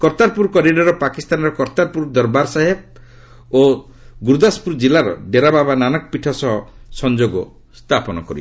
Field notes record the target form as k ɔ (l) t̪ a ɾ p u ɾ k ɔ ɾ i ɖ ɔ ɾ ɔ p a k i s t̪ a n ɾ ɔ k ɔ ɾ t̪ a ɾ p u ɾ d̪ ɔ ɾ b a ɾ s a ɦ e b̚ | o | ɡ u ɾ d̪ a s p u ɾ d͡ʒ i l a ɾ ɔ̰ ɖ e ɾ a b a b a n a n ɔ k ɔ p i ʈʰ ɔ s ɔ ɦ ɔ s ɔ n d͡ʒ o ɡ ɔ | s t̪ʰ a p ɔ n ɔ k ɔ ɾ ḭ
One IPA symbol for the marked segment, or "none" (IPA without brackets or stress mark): ɾ